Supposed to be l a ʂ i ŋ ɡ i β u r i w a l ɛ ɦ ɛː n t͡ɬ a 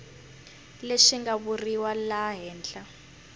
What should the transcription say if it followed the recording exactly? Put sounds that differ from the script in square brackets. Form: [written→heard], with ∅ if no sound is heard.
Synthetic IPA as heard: l [a→e] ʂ i ŋ ɡ [i→a] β u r i w a l [ɛ→a] ɦ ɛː n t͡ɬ a